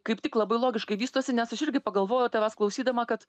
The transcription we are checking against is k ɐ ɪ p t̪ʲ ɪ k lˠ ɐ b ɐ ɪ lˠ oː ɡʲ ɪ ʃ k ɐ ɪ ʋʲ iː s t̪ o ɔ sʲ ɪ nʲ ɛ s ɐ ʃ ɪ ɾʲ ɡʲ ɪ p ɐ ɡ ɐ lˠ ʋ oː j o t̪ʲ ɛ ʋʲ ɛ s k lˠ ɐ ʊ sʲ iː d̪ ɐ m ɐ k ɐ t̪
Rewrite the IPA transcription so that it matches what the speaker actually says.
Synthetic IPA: k ɐ ɪ p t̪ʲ ɪ k lˠ ɐ b ɐ ɪ lˠ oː ɡʲ ɪ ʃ k ɐ ɪ ʋʲ iː s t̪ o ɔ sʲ ɪ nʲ ɛ s ɐ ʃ ɪ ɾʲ ɡʲ ɪ p ɐ ɡ ɐ lˠ ʋ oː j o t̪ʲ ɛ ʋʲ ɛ s k lˠ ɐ ʊ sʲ iː d̪ ɐ m ɐ k ɐ t̪